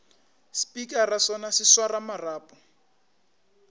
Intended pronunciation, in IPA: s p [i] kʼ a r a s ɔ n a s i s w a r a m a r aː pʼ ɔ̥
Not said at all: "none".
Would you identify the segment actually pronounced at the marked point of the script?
i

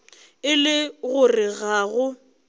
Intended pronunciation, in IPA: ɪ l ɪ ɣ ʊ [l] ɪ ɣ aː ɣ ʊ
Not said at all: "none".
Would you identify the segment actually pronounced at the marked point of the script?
r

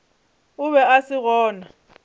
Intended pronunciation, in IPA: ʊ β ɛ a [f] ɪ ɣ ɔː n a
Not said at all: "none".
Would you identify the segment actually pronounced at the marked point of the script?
s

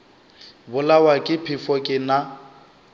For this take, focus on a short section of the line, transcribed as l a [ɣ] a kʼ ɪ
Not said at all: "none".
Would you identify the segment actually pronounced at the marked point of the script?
w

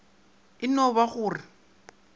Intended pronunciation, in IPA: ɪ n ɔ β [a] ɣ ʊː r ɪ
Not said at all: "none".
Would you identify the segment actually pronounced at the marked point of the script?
a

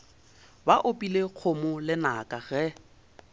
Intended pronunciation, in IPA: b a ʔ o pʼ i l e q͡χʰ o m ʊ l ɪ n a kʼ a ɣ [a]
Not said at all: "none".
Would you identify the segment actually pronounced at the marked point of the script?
ɛ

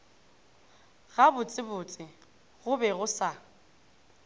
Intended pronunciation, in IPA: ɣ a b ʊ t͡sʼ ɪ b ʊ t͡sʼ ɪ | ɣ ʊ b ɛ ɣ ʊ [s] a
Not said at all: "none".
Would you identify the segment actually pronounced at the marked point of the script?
s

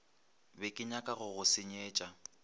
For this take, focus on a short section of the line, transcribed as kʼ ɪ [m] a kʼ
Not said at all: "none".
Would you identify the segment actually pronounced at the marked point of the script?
ɲ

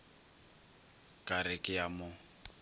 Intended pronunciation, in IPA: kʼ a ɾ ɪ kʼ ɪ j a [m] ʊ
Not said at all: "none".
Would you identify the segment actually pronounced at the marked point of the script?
m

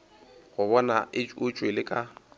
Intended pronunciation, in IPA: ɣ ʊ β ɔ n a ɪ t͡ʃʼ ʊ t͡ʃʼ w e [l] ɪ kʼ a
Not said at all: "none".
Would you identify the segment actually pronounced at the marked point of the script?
l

